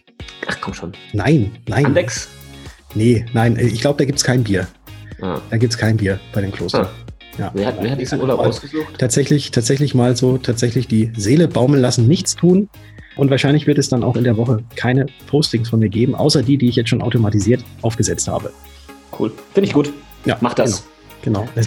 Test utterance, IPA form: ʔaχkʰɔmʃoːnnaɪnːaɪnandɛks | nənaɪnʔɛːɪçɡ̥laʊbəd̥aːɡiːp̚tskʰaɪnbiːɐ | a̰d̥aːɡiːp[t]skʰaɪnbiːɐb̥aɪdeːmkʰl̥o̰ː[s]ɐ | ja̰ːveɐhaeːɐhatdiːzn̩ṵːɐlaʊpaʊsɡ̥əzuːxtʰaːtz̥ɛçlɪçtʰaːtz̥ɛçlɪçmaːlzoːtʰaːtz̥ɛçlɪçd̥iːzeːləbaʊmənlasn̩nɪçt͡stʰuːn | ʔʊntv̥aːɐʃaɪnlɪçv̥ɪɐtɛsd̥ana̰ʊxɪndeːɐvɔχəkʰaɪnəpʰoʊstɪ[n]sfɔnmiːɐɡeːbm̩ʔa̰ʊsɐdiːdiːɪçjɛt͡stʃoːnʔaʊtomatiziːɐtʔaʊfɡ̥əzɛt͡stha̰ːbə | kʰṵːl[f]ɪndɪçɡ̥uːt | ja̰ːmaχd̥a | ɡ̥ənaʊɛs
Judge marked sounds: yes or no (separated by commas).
yes, yes, no, yes